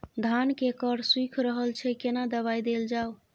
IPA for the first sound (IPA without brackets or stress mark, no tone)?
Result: d̪ʱ